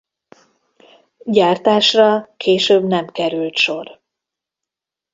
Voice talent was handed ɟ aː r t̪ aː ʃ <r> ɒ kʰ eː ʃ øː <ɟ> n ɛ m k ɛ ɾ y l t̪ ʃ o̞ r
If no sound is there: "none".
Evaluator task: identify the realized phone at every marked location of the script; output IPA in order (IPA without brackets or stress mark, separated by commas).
r, b